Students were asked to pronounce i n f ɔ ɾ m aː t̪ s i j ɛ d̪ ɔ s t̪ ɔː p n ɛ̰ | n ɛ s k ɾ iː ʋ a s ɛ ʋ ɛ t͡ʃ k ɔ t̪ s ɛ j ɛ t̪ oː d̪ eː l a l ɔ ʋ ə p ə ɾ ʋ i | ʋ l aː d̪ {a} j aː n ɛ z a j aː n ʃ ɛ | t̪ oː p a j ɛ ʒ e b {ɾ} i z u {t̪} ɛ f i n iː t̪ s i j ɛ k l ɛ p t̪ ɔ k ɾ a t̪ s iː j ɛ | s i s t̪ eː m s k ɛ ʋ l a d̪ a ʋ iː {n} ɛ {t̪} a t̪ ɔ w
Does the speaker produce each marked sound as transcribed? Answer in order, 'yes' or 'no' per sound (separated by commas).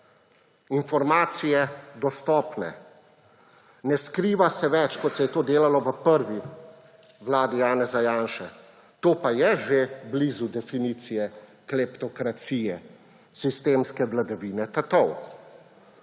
no, no, no, yes, yes